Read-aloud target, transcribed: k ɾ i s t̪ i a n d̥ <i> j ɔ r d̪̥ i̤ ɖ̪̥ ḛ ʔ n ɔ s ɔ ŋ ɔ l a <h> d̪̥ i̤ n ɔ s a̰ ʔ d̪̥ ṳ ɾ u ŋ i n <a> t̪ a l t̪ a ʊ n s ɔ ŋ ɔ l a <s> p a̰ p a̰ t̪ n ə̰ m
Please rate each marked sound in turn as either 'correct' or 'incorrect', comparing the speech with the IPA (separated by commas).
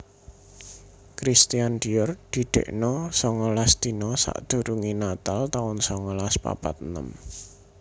correct, incorrect, correct, correct